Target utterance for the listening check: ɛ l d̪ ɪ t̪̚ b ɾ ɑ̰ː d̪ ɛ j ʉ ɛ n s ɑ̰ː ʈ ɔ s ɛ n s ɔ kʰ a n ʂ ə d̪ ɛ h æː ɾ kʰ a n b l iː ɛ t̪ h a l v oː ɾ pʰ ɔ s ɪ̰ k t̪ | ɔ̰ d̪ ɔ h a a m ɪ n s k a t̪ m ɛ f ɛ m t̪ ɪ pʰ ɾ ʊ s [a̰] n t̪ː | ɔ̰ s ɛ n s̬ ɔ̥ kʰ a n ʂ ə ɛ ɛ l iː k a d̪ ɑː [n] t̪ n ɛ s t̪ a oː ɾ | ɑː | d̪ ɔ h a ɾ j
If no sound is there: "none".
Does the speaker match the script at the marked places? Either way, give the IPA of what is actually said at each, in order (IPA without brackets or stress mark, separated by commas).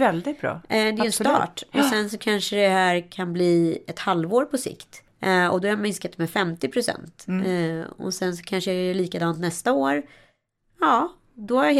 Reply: ɛ̰, n